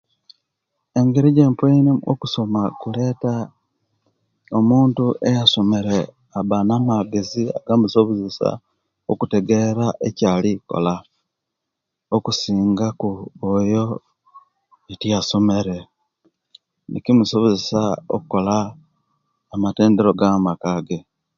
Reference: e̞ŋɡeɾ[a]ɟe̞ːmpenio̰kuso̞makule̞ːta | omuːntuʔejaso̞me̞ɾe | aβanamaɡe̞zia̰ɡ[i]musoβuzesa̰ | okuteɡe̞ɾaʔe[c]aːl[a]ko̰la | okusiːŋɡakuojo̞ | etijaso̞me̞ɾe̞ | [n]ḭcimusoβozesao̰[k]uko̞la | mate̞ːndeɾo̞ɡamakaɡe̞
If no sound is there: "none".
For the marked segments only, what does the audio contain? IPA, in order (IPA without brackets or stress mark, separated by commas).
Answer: i, a, c, i, n, k